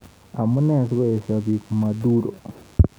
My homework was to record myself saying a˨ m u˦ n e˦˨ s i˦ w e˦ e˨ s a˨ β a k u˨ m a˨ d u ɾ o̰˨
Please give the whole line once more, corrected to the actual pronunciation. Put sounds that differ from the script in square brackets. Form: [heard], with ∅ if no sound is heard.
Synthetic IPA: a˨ m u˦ n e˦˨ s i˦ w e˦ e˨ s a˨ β [i] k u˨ m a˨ d u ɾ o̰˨